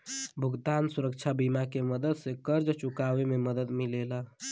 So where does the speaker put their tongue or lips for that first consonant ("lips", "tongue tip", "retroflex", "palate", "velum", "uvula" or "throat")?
lips